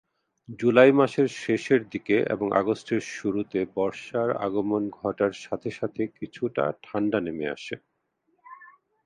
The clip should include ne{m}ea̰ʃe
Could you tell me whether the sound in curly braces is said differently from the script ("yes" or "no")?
no